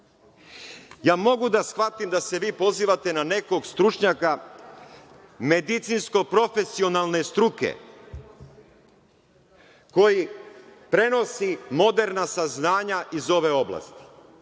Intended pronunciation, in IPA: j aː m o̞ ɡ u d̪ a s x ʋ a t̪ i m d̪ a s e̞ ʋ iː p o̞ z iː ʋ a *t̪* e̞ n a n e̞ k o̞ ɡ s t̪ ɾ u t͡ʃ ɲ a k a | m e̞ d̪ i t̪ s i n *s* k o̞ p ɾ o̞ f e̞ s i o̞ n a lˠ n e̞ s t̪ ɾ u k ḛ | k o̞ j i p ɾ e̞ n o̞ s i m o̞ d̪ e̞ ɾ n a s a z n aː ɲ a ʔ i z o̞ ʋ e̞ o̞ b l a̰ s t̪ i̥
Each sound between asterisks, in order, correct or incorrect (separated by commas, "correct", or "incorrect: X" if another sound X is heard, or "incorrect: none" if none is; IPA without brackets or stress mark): correct, correct